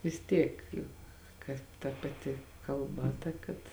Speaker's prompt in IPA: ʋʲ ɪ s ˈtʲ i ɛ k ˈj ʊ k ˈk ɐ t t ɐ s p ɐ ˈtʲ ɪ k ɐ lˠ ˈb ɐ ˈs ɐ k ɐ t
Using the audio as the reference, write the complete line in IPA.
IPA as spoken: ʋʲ ɪ s ˈtʲ i ɛ k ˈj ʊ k ˈk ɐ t t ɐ p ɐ ˈtʲ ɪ k ɐ lˠ ˈb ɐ ˈt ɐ k ɐ t